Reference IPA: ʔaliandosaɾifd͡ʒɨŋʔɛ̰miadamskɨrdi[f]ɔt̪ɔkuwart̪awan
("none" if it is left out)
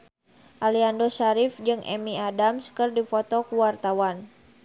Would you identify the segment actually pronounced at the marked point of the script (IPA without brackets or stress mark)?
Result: f